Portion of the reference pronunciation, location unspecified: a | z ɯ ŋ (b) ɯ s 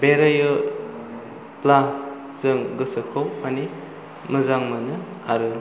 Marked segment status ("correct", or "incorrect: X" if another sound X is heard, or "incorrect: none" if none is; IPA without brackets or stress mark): incorrect: ɡ